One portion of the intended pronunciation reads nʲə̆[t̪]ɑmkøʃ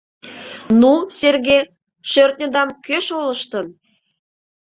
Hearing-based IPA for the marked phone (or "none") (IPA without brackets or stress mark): d̪